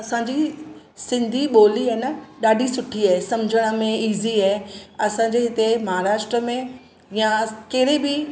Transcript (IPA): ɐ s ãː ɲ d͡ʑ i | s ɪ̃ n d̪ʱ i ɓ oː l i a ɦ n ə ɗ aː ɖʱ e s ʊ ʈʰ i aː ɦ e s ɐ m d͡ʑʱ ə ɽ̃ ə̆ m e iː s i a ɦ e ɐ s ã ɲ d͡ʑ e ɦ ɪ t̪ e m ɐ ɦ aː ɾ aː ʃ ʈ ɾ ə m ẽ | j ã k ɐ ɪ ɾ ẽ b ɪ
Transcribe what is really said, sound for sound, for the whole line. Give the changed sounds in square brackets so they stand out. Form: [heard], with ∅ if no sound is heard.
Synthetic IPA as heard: ɐ s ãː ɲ d͡ʑ i | s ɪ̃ n d̪ʱ i ɓ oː l i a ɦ n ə ɗ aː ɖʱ [i] s ʊ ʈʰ i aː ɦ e s ɐ m d͡ʑʱ ə ɽ̃ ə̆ m [ẽ] iː [z] i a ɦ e ɐ s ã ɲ d͡ʑ e ɦ ɪ t̪ e m ɐ ɦ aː ɾ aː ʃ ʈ ɾ ə m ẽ | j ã k ɐ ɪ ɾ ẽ b ɪ